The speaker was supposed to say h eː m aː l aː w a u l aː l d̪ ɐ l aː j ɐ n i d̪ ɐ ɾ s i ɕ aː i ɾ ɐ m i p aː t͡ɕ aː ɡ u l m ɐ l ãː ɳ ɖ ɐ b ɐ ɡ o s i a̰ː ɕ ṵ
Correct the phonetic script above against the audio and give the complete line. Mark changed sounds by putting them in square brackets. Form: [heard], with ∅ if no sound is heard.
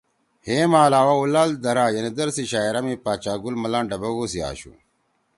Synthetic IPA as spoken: h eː m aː l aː w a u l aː l d̪ ɐ [ɾ] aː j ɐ n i d̪ ɐ ɾ s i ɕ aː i ɾ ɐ m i p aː t͡ɕ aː ɡ u l m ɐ l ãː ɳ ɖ ɐ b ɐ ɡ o s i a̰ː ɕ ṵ